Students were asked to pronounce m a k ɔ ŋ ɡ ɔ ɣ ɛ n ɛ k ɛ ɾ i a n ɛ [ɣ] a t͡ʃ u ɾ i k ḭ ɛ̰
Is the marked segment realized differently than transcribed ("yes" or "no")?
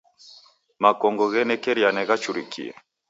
no